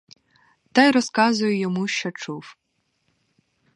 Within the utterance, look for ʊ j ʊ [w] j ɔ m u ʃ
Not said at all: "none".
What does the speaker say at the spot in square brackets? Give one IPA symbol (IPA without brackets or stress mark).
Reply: none